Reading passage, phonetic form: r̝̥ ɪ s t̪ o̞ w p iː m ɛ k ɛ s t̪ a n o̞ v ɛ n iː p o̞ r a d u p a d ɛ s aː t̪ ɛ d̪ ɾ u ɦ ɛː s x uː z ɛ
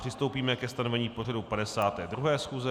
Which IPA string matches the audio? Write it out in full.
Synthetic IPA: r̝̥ ɪ s t̪ o̞ w p iː m ɛ k ɛ s t̪ a n o̞ v ɛ ɲ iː p o̞ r a d u p a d ɛ s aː t̪ ɛː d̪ ɾ u ɦ ɛː s x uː z ɛ

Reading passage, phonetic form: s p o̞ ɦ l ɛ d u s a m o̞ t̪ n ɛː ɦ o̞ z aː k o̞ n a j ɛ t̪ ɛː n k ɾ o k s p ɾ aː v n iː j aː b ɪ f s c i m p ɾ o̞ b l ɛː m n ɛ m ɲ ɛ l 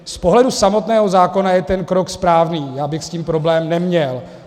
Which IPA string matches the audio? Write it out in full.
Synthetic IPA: s p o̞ ɦ l ɛ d u s a m o̞ t̪ n ɛː ɦ o̞ z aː k o̞ n a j ɛ t̪ ɛ n k ɾ o k s p ɾ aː v n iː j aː b ɪ x s c iː m p ɾ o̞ b l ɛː m n ɛ m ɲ ɛ l

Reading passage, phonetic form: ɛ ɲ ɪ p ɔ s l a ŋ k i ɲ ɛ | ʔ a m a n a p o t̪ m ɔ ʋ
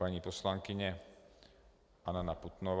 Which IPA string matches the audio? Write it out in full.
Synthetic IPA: a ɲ i p ɔ s l a ŋ k i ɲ ɛ | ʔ a n a n a p u t̪ n ɔ ʋ

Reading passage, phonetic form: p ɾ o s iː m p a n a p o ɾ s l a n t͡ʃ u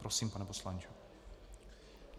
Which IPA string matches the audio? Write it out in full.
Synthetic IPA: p ɾ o s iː m p a n ɛ p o s l a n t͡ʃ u

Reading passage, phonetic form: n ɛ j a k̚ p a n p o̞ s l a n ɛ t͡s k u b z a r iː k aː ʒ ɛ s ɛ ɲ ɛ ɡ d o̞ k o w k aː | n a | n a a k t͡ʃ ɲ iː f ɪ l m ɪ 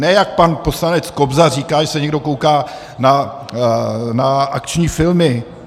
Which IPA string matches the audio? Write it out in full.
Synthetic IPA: n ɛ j a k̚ p a n p o̞ s l a n ɛ t͡s k o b z a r iː k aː ʒ ɛ s ɛ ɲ ɛ ɡ d o̞ k o w k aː | n a | n a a k t͡ʃ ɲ iː f ɪ l m ɪ

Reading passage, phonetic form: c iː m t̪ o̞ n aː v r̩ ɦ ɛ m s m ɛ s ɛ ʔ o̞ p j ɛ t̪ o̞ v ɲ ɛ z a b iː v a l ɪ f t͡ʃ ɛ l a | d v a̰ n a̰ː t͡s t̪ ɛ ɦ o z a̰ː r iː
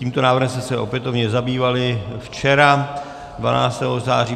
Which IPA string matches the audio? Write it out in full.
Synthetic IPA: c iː m t̪ o̞ n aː v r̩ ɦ ɛ m s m ɛ s ɛ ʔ o̞ p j ɛ t̪ o̞ v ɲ ɛ z a b iː v a l ɪ f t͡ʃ ɛ ɾ a | d v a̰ n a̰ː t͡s t̪ ɛ ɦ o z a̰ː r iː

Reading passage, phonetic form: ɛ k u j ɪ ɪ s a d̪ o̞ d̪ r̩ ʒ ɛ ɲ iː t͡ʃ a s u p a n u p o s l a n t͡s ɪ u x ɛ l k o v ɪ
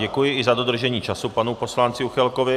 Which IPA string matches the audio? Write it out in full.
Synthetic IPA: ɛ k u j ɪ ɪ z a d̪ o̞ d̪ r̩ ʒ ɛ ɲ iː t͡ʃ a s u p a n u p o s l a n t͡s ɪ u x ɛ l k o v ɪ

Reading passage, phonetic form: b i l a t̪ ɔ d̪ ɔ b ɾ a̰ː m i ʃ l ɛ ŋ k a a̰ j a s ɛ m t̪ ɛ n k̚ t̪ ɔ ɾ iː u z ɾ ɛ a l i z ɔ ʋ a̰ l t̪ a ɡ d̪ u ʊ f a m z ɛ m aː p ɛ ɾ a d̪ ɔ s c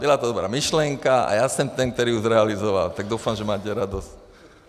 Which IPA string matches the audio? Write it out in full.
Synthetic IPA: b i l a t̪ ɔ d̪ ɔ b ɾ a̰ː m i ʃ l ɛ ŋ k a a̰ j a s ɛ m t̪ ɛ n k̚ t̪ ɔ ɾ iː u z ɾ ɛ a l i z ɔ ʋ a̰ l t̪ a ɡ d̪ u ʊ f a m ʒ ɛ m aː c ɛ ɾ a d̪ ɔ s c

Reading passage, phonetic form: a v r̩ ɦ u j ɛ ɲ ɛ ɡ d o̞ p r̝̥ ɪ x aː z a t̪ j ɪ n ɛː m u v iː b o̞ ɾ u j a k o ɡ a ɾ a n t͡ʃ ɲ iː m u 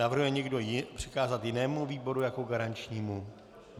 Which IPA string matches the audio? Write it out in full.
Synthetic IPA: a v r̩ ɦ u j ɛ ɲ ɛ ɡ d o̞ p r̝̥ ɪ k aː z a t̪ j ɪ n ɛː m u v iː b o̞ ɾ u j a k o ɡ a ɾ a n t͡ʃ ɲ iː m u

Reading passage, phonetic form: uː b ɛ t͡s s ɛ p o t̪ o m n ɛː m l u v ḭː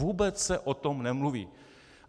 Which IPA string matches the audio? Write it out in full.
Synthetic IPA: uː b ɛ t͡s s ɛ ʔ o t̪ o m n ɛ m l u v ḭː

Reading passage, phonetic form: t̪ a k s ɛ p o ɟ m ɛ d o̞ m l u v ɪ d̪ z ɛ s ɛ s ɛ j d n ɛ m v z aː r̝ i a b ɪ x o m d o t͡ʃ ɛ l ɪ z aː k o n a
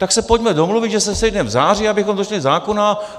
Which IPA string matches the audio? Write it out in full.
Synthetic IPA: t̪ a k s ɛ p o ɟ m ɛ d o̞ m l u v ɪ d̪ ʒ ɛ s ɛ s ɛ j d n ɛ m v z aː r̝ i a b ɪ x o m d o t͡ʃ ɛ l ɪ z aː k o n a

